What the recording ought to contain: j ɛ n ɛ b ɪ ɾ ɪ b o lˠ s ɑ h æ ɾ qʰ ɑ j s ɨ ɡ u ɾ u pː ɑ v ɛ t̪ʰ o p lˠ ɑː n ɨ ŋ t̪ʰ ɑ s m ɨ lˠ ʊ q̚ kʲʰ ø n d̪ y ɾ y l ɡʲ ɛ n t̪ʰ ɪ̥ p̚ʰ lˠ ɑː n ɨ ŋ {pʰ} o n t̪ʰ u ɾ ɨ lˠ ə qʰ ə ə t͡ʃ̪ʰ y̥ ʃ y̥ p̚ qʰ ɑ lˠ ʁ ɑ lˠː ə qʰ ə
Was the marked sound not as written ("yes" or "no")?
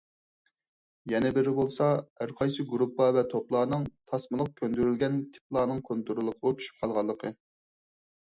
yes